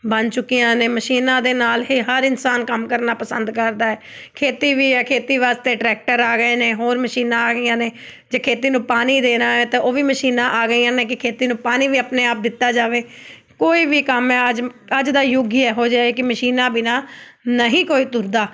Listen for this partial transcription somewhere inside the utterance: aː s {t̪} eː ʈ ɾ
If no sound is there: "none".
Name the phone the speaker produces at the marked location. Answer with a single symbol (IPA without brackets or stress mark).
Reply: t̪